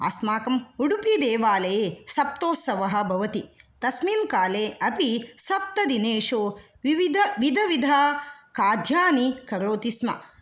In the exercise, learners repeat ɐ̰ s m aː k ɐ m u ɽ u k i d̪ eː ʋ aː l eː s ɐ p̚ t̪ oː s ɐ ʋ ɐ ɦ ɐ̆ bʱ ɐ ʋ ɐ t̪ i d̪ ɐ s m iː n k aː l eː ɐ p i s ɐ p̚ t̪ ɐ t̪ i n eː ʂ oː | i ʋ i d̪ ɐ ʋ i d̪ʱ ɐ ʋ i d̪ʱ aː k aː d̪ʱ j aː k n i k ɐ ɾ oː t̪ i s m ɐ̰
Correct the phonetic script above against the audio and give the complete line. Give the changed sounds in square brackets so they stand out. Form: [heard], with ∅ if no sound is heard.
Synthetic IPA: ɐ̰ s m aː k ɐ m u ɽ u [p] i d̪ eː ʋ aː l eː s ɐ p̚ t̪ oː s ɐ ʋ ɐ ɦ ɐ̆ bʱ ɐ ʋ ɐ t̪ i [t̪] ɐ s m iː n k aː l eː ɐ p i s ɐ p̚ t̪ ɐ [d̪] i n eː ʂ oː | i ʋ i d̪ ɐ ʋ i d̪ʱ ɐ ʋ i d̪ʱ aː k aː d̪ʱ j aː [∅] n i k ɐ ɾ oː t̪ i s m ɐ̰

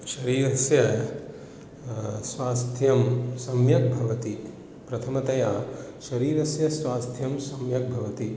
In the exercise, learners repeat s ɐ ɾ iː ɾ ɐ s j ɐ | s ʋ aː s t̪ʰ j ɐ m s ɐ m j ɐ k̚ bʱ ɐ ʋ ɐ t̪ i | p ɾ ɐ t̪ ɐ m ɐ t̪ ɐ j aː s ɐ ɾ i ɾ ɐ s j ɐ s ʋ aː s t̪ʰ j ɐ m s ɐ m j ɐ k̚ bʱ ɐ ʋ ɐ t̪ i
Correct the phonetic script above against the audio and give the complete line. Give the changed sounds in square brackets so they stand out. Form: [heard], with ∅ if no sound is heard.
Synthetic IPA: [ʃ] ɐ ɾ iː ɾ ɐ s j ɐ | s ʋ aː s t̪ʰ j ɐ m s ɐ m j ɐ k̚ bʱ ɐ ʋ ɐ t̪ i | p ɾ ɐ [t̪ʰ] ɐ m ɐ t̪ ɐ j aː [ʃ] ɐ ɾ [iː] ɾ ɐ s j ɐ s ʋ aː s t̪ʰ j ɐ m s ɐ m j ɐ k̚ bʱ ɐ ʋ ɐ t̪ i

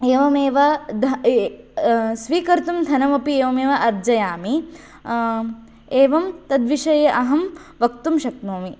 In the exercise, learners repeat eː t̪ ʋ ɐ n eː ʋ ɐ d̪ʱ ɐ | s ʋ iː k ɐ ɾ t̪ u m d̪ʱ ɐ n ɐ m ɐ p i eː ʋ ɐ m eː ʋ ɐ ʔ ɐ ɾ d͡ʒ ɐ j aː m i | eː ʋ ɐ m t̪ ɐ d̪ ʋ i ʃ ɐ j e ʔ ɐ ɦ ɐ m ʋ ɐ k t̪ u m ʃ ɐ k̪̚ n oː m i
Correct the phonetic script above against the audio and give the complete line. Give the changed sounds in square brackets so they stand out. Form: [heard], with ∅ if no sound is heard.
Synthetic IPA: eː [∅] ʋ ɐ [m] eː ʋ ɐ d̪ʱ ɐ | s ʋ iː k ɐ ɾ t̪ u m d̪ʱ ɐ n ɐ m ɐ p i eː ʋ ɐ m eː ʋ ɐ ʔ ɐ ɾ d͡ʒ ɐ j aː m i | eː ʋ ɐ m t̪ ɐ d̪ ʋ i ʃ ɐ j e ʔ ɐ ɦ ɐ m ʋ ɐ k t̪ u m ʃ ɐ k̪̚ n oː m i

